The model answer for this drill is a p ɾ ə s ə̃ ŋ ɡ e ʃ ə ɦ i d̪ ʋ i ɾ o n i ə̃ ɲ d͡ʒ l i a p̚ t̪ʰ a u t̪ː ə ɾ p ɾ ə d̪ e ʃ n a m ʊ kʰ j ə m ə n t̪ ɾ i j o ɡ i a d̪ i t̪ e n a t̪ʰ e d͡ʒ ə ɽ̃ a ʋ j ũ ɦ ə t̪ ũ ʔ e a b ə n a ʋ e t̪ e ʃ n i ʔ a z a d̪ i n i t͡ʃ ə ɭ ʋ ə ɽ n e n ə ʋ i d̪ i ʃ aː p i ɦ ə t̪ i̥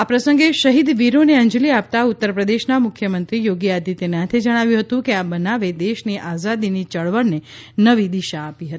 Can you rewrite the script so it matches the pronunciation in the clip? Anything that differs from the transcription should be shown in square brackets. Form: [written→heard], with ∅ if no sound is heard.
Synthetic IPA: a p ɾ ə s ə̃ ŋ ɡ e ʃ ə ɦ i d̪ ʋ i ɾ o n [i→e] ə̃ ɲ d͡ʒ l i a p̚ [t̪ʰ→t̪] a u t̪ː ə ɾ p ɾ ə d̪ e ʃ n a m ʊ kʰ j ə m ə n t̪ ɾ i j o ɡ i a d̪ i t̪ e n a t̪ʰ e d͡ʒ ə ɽ̃ a ʋ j ũ ɦ ə t̪ ũ [ʔ→k] e a b ə n a ʋ e [t̪→d̪] e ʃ n i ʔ a z a d̪ i n i t͡ʃ ə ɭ ʋ ə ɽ n e n ə ʋ i d̪ i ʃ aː p i ɦ ə t̪ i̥

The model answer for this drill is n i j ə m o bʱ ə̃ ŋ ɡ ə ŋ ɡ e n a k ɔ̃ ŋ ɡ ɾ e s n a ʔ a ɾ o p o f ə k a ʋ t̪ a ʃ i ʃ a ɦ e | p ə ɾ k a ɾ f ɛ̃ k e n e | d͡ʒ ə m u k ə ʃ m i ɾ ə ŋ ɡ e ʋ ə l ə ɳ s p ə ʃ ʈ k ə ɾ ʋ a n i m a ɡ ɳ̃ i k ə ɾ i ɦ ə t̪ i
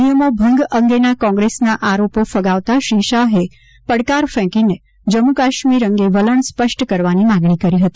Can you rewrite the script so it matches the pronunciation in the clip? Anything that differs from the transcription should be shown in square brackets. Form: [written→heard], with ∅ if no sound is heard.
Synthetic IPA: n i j ə m o bʱ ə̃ ŋ ɡ ə ŋ ɡ e n a k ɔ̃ ŋ ɡ ɾ e s n a ʔ a ɾ o p o f ə [k→ɡ] a ʋ t̪ a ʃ i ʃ a ɦ e | p ə [ɾ→ɽ] k a ɾ f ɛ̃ k [e→i] n e | d͡ʒ ə m u k [ə→a] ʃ m i ɾ ə ŋ ɡ e ʋ ə l ə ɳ s p ə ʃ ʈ k ə ɾ ʋ a n i m a ɡ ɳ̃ i k ə ɾ i ɦ ə t̪ i

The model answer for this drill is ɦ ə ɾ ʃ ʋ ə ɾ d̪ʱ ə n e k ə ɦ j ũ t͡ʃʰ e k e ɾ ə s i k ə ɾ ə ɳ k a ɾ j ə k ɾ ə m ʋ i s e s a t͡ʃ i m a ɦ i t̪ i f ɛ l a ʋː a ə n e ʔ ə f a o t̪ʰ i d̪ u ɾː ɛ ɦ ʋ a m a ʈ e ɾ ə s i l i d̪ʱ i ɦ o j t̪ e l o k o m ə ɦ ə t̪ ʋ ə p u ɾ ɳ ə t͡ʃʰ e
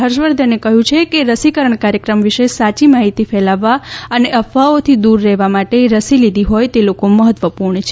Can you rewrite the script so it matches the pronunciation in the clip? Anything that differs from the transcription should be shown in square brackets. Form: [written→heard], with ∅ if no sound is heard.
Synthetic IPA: ɦ ə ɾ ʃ ʋ ə ɾ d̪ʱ ə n e k ə ɦ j ũ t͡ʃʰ e k e ɾ ə s i k ə ɾ ə ɳ k a ɾ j ə k ɾ ə m ʋ i [s→ʃ] e s a t͡ʃ i m a ɦ i t̪ i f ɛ l a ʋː a ə n e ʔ ə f a o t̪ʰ i d̪ u ɾː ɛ ɦ ʋ a m a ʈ e ɾ ə s i l i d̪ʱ i ɦ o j t̪ e l o k o m ə ɦ ə t̪ ʋ ə p u ɾ ɳ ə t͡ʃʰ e

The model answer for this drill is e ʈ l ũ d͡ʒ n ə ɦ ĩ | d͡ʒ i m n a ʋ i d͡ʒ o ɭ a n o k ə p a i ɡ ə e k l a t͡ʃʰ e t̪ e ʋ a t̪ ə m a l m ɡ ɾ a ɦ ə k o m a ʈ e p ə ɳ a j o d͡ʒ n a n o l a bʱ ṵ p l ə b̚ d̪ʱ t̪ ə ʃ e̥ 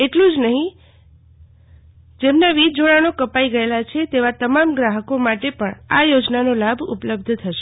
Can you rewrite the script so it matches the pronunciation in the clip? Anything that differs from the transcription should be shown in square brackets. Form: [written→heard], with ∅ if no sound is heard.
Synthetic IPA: e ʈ l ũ d͡ʒ n ə ɦ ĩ | d͡ʒ [i→e] m n a ʋ i d͡ʒ o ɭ a n o k ə p a i ɡ ə e [k→∅] l a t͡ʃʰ e t̪ e ʋ a t̪ ə m a [l→∅] m ɡ ɾ a ɦ ə k o m a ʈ e p ə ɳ a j o d͡ʒ n a n o l a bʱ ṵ p l ə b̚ d̪ʱ [t̪→t̪ʰ] ə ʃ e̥

